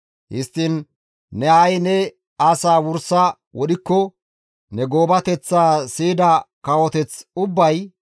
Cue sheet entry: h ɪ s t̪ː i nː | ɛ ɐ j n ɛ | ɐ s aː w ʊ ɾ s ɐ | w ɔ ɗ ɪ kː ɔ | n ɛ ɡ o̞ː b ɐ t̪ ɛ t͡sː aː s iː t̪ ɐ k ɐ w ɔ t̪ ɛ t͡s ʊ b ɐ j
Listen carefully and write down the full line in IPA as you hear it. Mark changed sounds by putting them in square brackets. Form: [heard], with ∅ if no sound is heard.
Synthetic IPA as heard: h ɪ s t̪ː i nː | ɛ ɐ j n ɛ | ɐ s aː w ʊ ɾ s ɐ | w ɔ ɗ ɪ kː ɔ | n ɛ ɡ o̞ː b ɐ t̪ ɛ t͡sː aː s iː [d̪] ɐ k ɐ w ɔ t̪ ɛ t͡s ʊ [bː] ɐ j